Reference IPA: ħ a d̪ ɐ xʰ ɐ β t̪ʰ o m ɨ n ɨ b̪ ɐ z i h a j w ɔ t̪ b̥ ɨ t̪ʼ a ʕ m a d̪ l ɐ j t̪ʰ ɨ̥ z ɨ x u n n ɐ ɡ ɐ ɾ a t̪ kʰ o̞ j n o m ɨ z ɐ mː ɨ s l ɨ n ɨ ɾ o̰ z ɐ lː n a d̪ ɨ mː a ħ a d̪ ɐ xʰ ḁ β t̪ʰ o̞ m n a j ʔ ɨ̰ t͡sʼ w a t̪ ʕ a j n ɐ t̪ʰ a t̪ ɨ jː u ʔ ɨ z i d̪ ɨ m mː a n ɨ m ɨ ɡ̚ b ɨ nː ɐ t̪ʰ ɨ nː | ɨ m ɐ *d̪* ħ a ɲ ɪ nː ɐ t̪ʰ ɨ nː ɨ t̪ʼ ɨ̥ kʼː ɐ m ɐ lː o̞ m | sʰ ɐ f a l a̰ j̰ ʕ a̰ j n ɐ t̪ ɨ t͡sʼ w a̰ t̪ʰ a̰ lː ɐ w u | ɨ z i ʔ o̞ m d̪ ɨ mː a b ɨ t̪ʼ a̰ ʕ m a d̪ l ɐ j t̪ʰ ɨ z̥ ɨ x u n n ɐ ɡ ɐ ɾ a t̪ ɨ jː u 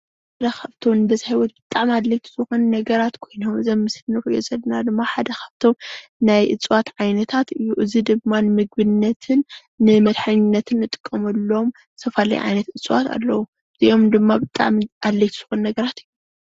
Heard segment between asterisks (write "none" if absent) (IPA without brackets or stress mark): d̪